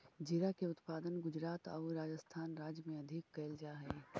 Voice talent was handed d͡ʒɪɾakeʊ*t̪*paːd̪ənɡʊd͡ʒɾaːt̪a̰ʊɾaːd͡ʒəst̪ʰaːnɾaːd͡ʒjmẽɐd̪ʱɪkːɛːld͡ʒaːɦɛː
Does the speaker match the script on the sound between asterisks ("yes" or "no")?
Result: yes